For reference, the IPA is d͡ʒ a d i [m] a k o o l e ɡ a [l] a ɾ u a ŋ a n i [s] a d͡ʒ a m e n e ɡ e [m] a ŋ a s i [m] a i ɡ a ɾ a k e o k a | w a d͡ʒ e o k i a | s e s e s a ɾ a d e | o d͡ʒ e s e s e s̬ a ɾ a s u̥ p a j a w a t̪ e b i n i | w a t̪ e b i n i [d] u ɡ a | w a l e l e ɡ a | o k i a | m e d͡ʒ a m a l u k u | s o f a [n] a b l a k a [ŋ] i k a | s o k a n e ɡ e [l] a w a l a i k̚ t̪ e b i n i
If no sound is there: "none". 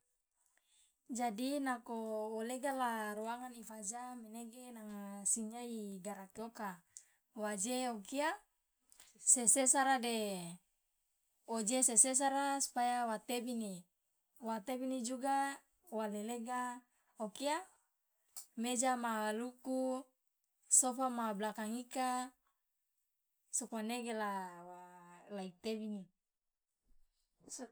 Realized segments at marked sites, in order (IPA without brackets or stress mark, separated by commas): n, l, f, n, ɲ, d͡ʒ, m, ŋ, l